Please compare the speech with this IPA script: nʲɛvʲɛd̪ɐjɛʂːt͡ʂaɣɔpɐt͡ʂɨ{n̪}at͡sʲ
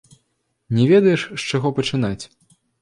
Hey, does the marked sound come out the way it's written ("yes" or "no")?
yes